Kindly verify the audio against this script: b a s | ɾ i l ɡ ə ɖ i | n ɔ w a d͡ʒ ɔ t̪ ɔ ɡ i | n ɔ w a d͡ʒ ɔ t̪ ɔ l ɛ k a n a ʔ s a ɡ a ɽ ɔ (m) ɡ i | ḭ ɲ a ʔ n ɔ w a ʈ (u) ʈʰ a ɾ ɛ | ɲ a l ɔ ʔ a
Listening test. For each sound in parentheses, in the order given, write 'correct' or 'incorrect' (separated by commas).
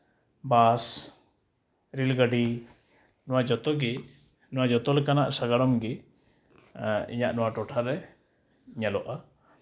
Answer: correct, incorrect